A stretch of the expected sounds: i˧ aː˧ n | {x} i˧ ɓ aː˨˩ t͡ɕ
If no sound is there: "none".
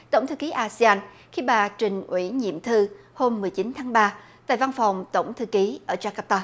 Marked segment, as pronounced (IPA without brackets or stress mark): x